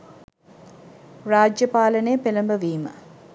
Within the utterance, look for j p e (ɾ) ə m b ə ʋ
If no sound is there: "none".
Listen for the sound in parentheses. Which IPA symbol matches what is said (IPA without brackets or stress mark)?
l